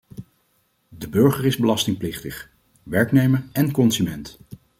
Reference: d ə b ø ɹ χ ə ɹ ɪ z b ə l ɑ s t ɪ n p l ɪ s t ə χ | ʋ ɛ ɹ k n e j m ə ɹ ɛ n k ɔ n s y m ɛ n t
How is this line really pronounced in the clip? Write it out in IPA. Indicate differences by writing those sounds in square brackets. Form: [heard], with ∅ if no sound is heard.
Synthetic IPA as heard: d ə b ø ɹ χ ə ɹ ɪ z b ə l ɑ s t ɪ [ŋ] p l ɪ [χ] t ə χ | ʋ ɛ ɹ k n e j m ə ɹ ɛ n k ɔ n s y m ɛ n t